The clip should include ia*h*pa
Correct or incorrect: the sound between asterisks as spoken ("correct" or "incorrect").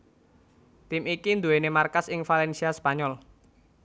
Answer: incorrect